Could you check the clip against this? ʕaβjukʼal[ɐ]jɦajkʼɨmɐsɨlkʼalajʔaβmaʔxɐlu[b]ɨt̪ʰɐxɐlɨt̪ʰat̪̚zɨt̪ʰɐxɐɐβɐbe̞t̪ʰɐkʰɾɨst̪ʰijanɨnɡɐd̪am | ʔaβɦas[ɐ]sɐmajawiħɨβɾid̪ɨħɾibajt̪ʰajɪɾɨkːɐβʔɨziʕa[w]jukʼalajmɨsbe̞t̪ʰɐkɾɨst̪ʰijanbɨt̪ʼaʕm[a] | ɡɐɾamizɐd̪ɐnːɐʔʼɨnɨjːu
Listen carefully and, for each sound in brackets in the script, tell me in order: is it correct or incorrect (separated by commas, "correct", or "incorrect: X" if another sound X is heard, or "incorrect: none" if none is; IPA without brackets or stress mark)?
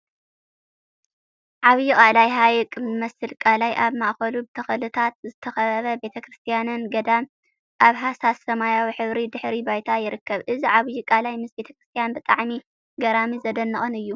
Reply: incorrect: a, correct, incorrect: a, incorrect: β, incorrect: i